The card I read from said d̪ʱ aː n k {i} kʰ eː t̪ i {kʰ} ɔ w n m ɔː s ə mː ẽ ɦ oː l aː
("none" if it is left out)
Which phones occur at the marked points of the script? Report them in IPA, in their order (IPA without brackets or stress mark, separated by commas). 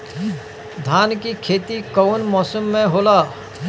i, k